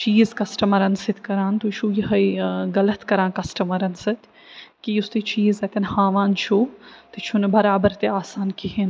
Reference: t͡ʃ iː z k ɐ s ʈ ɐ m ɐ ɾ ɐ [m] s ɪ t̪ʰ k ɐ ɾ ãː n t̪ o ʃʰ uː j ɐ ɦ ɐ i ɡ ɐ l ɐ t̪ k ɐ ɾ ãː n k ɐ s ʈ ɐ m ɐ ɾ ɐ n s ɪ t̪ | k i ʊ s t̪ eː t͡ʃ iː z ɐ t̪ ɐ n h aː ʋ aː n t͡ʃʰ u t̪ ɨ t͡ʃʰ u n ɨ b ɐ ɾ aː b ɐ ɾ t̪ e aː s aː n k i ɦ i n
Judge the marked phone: incorrect: n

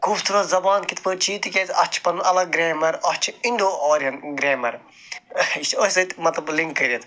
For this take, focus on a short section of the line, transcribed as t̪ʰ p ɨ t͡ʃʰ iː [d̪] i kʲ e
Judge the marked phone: incorrect: t̪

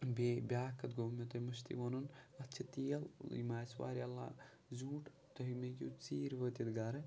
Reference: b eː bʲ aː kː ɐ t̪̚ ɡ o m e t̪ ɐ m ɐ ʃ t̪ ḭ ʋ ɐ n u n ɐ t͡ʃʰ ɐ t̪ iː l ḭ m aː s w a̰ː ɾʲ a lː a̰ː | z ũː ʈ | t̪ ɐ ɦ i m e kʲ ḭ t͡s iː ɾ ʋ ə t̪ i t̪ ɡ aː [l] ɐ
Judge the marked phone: incorrect: ɾ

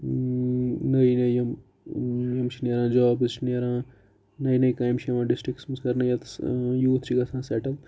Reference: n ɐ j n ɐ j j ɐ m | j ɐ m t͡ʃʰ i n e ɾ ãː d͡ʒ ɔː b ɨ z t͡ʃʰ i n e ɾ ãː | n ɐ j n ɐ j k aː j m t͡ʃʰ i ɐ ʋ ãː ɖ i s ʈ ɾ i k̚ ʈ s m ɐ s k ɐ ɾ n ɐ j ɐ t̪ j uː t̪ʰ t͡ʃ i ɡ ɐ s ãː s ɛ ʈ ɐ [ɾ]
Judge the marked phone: incorrect: l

